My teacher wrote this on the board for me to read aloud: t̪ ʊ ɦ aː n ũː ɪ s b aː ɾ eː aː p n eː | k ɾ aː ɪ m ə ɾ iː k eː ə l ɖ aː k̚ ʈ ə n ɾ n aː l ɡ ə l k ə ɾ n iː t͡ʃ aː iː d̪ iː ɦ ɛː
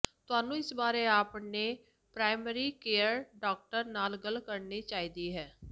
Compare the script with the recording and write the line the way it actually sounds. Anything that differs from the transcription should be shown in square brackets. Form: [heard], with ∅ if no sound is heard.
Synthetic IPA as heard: t̪ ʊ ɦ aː n ũː ɪ s b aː ɾ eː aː p n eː | [p] ɾ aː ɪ m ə ɾ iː k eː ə [ɾ] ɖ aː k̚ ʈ ə [∅] ɾ n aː l ɡ ə l k ə ɾ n iː t͡ʃ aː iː d̪ iː ɦ ɛː